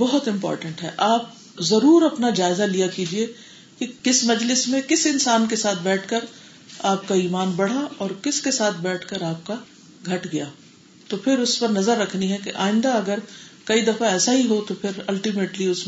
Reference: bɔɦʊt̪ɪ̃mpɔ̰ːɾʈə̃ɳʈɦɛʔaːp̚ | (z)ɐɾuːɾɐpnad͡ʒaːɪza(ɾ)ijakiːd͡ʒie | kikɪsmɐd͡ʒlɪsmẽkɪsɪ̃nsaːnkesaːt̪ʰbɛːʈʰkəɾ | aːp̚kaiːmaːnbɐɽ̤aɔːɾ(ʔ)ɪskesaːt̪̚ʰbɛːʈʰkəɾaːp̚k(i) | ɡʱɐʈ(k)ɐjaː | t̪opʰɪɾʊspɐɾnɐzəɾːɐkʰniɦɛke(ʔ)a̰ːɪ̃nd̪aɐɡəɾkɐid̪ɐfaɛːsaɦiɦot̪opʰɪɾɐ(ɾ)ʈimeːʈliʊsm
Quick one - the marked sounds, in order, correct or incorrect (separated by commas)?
correct, incorrect, incorrect, incorrect, incorrect, correct, incorrect